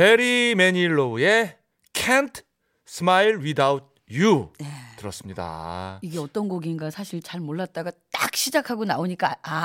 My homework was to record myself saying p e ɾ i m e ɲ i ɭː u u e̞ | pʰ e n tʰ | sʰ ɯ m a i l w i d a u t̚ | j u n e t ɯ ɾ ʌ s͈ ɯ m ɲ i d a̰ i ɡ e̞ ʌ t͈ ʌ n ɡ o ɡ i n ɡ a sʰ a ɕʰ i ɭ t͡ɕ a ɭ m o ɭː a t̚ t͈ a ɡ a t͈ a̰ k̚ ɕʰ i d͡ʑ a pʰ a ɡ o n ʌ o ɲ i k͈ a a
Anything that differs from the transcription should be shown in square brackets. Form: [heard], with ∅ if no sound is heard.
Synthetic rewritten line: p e ɾ i m e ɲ i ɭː [o] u e̞ | [kʰ] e n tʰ | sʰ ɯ m a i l w i d a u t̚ | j u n e t ɯ ɾ ʌ s͈ ɯ m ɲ i d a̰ i ɡ e̞ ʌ t͈ ʌ n ɡ o ɡ i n ɡ a sʰ a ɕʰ i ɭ t͡ɕ a ɭ m o ɭː a t̚ t͈ a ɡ a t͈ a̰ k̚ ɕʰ i d͡ʑ a [kʰ] a ɡ o n [a] o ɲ i k͈ a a